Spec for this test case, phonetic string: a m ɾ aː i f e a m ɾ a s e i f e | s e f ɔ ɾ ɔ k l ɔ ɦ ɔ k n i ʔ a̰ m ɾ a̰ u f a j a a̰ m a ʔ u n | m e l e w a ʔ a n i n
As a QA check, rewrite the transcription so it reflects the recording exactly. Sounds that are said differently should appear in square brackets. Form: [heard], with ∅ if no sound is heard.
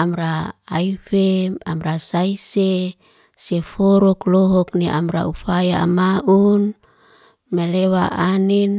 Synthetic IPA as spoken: a m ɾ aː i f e a m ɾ a s [a] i [s] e | s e f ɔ ɾ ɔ k l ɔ ɦ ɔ k n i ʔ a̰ m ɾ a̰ u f a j a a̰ m a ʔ u n | m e l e w a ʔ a n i n

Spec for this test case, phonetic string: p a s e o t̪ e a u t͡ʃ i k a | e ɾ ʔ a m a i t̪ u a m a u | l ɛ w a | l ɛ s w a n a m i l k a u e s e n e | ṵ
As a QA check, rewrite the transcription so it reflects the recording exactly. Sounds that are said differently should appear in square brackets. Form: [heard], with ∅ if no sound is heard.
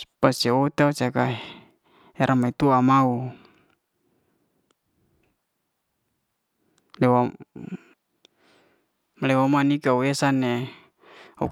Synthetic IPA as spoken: p a s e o t̪ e a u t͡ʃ [a] k a | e ɾ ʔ a m a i t̪ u a m a u | l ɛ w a | l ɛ [∅] w a [m] a [n] i [∅] k a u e s [a] n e | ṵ

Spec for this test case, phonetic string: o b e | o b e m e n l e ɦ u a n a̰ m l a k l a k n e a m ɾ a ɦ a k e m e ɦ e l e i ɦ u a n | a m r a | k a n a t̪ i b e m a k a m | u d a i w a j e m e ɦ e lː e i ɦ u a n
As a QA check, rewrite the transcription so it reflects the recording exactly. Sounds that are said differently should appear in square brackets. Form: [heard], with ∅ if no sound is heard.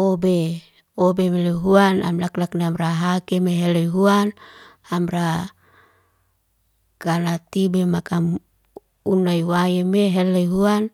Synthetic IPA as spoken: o b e | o b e m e [∅] l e ɦ u a n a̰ m l a k l a k n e a m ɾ a ɦ a k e m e ɦ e l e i ɦ u a n | a m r a | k a n a t̪ i b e m a k a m | u [n] a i w a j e m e ɦ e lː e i ɦ u a n

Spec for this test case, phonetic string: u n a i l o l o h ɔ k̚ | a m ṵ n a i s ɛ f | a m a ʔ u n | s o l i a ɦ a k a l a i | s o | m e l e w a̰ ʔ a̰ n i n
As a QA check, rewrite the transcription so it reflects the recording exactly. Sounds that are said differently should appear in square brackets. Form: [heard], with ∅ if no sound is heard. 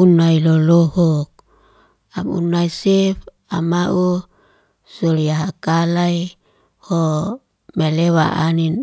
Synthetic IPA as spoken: u n a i l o l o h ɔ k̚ | a m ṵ n a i s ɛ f | a m a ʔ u [∅] | s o l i a ɦ a k a l a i | [h] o | m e l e w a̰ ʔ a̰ n i n

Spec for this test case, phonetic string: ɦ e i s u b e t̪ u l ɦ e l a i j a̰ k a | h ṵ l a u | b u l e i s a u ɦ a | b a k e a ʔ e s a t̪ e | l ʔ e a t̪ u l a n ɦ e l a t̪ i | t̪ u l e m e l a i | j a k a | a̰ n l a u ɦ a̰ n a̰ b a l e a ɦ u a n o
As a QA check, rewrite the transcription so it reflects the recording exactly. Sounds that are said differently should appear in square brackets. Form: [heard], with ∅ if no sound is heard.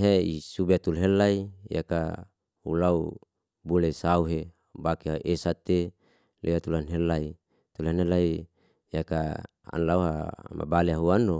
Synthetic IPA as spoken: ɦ e i s u b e t̪ u l ɦ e l a i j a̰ k a | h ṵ l a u | b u l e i s a u ɦ [e] | b a k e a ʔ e s a t̪ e | l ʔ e a t̪ u l a n ɦ e l a [∅] i | t̪ u l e [n] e l a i | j a k a | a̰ n l a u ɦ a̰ [m] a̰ b a l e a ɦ u a n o

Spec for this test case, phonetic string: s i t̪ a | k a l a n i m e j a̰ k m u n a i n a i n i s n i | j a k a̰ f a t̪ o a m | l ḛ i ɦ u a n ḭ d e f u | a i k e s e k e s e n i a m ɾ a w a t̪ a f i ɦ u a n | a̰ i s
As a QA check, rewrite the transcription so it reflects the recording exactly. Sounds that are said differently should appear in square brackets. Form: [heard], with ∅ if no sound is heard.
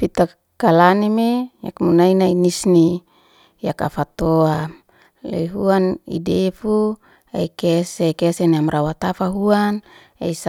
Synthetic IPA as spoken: [f] i t̪ a | k a l a n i m e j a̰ k m u n a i n a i n i s n i | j a k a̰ f a t̪ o a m | l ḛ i ɦ u a n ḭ d e f u | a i k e s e k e s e n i a m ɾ a w a t̪ a f [a] ɦ u a n | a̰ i s

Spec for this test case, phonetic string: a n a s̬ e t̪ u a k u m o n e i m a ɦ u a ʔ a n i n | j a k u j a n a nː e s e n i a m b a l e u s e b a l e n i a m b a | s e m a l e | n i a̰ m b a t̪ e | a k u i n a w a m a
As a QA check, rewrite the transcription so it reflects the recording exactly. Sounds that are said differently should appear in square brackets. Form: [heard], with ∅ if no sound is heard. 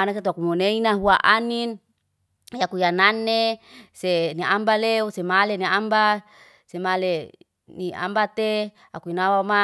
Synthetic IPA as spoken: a n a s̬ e t̪ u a k u m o n e i [n] a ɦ u a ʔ a n i n | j a k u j a n a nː e s e n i a m b a l e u s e [m] a l e n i a m b a | s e m a l e | n i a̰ m b a t̪ e | a k u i n a w a m a

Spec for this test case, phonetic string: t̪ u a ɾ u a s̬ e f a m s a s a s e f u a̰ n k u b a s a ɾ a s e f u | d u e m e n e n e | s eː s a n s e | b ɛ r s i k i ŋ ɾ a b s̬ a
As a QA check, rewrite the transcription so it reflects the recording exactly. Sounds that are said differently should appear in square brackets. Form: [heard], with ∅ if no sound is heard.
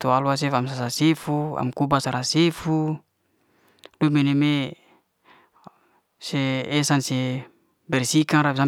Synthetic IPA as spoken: t̪ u a [l] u a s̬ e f a m s a s a s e f u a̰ [m] k u b a s a ɾ a s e f u | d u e m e n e [m] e | s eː s a n s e | b ɛ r s i k [a] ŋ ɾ a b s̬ a

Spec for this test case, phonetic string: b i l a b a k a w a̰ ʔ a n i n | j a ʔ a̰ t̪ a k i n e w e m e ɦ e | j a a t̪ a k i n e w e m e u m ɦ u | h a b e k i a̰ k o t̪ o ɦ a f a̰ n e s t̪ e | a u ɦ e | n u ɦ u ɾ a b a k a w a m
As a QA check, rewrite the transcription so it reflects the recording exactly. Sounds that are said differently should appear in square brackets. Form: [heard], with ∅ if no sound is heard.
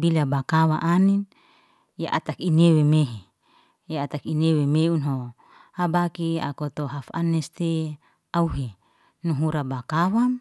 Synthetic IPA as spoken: b i l a b a k a w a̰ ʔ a n i n | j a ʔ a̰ t̪ a k i n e w e m e ɦ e | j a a t̪ a k i n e w e m e u [n] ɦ [o] | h a b [a] k i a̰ k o t̪ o ɦ a f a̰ n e s t̪ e | a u ɦ e | n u ɦ u ɾ a b a k a w a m

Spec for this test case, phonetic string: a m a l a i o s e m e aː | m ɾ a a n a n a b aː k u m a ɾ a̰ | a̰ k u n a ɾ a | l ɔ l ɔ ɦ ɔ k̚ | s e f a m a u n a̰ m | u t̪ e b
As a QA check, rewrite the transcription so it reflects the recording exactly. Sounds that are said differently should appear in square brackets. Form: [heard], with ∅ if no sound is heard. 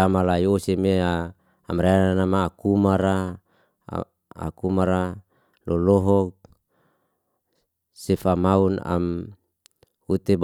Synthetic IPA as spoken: a m a l a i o s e m e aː | m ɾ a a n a n a [m] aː k u m a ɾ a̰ | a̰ k u [m] a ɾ a | l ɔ l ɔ ɦ ɔ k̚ | s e f a m a u n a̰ m | u t̪ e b

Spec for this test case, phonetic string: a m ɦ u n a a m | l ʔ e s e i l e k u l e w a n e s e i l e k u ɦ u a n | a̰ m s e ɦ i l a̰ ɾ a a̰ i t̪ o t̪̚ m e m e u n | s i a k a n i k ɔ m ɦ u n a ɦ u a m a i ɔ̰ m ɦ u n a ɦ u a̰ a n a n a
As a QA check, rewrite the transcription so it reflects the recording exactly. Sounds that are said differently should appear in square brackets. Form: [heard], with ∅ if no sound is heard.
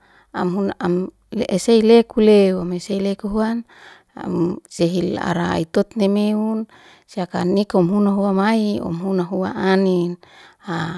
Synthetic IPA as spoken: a m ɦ u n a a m | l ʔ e s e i l e k u l e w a [m] e s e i l e k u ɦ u a n | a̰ m s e ɦ i l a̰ ɾ a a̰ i t̪ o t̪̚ [n] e m e u n | s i a k a n i k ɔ m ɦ u n a ɦ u a m a i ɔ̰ m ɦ u n a ɦ u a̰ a n [i] n a

